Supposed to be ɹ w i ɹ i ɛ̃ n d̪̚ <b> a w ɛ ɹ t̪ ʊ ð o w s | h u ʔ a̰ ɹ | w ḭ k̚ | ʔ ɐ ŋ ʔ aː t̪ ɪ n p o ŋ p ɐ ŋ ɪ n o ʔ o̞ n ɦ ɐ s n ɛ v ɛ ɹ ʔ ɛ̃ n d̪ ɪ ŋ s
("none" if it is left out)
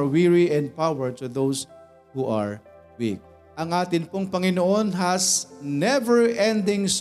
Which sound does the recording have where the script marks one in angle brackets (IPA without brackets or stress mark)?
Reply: p